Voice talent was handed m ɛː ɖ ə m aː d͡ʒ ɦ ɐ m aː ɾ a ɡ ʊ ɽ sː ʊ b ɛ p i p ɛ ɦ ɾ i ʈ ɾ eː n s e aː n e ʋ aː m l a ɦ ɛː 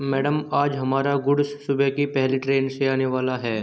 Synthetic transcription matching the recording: m ɛː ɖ ə m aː d͡ʒ ɦ ɐ m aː ɾ a ɡ ʊ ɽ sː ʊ b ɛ k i p ɛ ɦ l i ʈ ɾ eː n s e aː n e ʋ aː l a ɦ ɛː